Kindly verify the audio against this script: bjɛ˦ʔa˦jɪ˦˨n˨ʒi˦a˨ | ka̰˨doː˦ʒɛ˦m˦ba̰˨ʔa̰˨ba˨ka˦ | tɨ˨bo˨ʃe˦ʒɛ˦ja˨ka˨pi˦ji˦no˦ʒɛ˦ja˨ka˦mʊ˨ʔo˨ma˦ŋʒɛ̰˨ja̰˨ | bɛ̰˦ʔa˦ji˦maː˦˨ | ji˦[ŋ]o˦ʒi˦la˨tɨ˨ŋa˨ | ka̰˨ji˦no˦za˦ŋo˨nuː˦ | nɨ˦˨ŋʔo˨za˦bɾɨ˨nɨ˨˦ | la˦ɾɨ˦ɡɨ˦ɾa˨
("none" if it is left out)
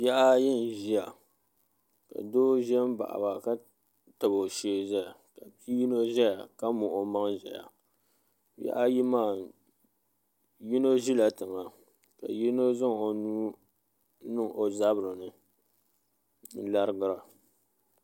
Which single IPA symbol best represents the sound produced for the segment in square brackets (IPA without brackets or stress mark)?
n